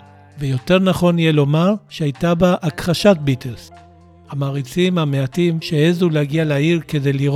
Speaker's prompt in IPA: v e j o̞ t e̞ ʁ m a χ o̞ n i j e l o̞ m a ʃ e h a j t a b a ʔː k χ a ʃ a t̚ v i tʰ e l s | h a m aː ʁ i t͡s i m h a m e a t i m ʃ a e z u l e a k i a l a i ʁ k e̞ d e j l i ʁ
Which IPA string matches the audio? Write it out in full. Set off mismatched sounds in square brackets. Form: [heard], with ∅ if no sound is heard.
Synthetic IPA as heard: v e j o̞ t e̞ ʁ [n] a χ o̞ n i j e l o̞ m a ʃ e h a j t a b a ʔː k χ a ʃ a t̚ [b] i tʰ e l s | h a m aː ʁ i t͡s i m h a m e a t i m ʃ [e] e z u l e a [ɡ] i a l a i ʁ k e̞ d e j l i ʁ